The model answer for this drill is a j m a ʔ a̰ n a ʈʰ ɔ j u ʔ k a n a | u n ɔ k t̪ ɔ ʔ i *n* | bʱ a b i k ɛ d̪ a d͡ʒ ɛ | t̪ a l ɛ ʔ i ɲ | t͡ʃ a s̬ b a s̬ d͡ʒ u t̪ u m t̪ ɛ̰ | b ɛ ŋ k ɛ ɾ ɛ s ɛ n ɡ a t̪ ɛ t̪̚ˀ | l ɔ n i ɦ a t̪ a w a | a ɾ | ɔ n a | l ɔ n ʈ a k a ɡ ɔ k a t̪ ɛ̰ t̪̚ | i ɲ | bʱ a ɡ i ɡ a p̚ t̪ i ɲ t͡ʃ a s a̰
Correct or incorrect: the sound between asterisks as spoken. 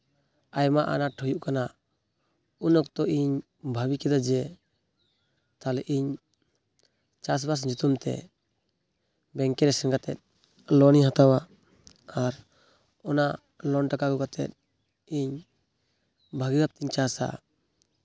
incorrect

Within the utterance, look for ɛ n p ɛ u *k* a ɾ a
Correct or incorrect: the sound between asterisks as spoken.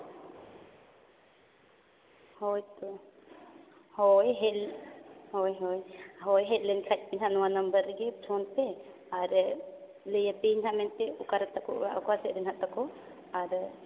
correct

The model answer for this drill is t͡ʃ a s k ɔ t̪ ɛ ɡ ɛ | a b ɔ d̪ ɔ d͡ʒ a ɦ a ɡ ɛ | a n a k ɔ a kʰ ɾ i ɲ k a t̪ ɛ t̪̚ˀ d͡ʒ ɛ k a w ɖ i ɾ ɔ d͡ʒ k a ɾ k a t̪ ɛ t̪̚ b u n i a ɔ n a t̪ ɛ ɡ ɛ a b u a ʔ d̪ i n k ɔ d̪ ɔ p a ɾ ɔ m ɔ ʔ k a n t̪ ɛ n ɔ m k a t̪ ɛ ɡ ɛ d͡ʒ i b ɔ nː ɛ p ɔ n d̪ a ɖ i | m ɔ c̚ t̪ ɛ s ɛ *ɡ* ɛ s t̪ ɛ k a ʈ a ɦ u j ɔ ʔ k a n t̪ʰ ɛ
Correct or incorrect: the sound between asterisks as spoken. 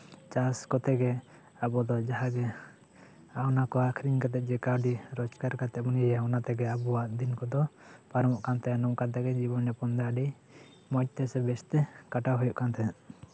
incorrect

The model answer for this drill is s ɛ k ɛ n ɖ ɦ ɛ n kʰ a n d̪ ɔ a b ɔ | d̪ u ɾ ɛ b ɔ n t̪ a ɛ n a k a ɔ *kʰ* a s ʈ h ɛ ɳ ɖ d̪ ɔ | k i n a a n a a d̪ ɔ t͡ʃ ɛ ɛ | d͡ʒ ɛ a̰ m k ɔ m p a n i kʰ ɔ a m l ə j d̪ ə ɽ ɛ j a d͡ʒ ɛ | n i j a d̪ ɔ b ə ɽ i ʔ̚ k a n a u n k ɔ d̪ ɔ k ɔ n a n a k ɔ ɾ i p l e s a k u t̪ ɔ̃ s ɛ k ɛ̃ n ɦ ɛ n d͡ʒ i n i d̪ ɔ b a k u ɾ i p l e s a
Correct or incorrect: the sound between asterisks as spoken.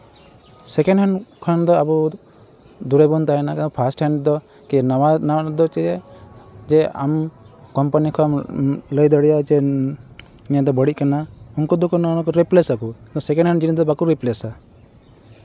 incorrect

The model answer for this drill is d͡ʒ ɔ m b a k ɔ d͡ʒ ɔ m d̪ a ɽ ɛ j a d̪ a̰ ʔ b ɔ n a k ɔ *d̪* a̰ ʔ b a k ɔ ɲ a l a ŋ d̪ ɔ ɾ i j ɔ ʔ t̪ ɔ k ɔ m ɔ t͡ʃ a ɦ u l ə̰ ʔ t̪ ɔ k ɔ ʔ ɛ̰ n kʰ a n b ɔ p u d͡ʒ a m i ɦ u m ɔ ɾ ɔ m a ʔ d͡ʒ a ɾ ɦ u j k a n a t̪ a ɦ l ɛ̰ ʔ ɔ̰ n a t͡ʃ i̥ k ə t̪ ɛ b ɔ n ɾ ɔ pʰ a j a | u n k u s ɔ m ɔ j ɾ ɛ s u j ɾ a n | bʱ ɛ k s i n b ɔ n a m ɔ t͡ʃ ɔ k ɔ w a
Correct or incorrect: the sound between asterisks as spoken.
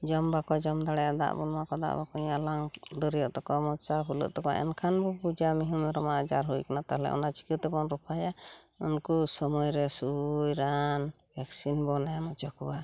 correct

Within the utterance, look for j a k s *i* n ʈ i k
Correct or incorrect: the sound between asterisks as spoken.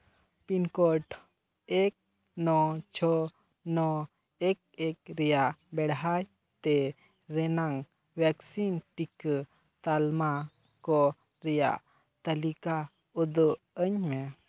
correct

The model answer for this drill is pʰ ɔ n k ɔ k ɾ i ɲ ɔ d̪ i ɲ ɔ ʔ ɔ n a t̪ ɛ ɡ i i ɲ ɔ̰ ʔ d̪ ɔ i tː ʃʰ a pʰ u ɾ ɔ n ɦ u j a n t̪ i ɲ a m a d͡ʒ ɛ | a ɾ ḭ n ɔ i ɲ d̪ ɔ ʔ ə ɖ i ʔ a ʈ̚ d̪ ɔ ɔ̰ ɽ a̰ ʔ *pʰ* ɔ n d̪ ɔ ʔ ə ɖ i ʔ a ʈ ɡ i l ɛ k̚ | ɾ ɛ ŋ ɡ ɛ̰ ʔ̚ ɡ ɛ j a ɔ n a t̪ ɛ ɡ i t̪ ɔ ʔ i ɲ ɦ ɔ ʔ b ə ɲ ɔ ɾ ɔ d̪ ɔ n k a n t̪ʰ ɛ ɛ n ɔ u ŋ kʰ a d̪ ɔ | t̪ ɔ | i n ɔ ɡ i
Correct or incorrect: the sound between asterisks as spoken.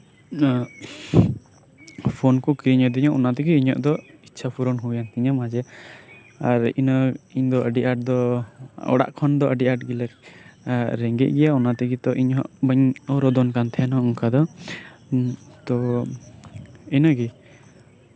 incorrect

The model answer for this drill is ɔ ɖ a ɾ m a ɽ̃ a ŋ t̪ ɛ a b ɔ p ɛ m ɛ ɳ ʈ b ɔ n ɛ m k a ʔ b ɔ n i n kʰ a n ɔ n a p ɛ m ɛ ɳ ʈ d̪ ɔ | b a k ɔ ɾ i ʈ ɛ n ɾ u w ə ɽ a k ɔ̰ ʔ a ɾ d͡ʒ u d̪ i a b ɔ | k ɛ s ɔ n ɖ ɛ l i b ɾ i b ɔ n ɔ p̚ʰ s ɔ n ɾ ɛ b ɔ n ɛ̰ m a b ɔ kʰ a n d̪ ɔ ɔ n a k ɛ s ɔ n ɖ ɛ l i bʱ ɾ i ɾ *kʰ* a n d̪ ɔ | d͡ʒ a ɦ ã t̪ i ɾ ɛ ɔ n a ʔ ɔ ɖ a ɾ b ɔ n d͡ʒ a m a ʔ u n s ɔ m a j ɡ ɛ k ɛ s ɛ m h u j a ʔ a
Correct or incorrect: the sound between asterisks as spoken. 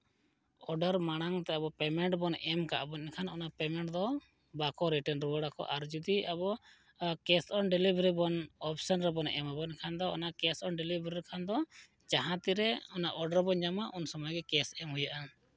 correct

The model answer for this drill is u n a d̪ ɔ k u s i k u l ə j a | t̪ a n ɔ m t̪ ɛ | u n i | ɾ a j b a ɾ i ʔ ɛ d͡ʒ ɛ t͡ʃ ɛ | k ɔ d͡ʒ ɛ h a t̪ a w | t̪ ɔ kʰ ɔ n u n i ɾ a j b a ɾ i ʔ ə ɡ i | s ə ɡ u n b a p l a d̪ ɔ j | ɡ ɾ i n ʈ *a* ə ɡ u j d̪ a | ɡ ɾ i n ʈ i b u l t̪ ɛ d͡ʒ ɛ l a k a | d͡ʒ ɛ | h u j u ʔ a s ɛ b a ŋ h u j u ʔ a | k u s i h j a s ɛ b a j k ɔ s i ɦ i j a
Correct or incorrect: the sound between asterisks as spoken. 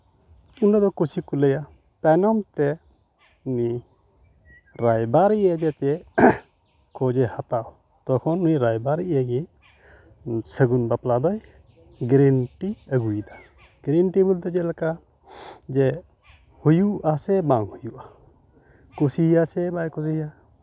incorrect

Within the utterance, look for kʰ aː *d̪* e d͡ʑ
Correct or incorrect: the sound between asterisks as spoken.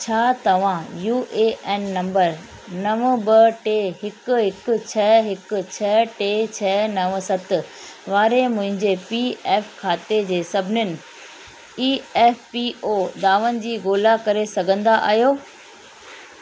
incorrect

